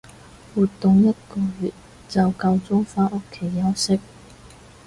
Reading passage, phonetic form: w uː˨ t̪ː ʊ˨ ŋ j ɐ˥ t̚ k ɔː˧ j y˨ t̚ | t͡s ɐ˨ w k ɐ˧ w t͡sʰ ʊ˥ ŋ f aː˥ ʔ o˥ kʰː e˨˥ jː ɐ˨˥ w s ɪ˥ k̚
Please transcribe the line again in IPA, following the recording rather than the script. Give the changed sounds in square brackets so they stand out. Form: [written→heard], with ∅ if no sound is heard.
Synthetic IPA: w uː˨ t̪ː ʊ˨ ŋ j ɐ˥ t̚ k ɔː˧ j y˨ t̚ | t͡s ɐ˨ w k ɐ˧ w [t͡sʰ→t͡s] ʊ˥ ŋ f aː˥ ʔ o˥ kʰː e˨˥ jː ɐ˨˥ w s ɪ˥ k̚